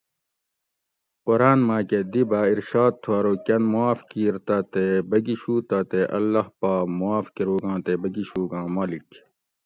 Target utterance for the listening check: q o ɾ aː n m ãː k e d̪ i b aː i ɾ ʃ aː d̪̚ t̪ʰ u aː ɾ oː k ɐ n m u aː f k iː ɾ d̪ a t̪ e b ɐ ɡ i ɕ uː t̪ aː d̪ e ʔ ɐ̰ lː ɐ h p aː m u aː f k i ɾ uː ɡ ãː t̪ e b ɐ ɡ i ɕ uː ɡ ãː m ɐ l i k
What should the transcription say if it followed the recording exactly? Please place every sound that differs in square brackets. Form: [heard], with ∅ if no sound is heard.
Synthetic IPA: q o ɾ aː n m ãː k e d̪ i b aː i ɾ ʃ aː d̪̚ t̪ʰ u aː ɾ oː k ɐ n m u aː f k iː ɾ [t̪] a t̪ e b ɐ ɡ i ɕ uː t̪ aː [t̪] e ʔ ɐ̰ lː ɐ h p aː m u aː f k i ɾ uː ɡ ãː t̪ e b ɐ ɡ i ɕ uː ɡ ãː m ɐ l i k